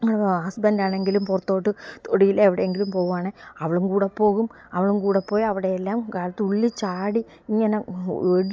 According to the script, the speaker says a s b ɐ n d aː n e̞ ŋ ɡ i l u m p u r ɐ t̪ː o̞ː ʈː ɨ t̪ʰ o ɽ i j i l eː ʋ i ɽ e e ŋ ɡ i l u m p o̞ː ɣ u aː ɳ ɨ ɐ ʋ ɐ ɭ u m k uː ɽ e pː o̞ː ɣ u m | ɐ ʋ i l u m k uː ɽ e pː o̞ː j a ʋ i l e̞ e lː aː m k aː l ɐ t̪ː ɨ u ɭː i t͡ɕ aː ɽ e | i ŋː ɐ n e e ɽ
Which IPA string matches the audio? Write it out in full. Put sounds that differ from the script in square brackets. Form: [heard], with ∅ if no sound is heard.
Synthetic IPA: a s b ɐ n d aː [ɳ] e̞ ŋ ɡ i l u m p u r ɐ t̪ː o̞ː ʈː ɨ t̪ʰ o ɽ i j i l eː ʋ i ɽ e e ŋ ɡ i l u m p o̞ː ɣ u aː ɳ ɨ ɐ ʋ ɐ ɭ u m k uː ɽ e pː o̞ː ɣ u m | ɐ ʋ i [ɭ] u m k uː ɽ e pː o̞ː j [ɐ] ʋ i [ɽ] e̞ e lː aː m k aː l ɐ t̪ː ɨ u ɭː i t͡ɕ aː ɽ [i] | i ŋː ɐ n e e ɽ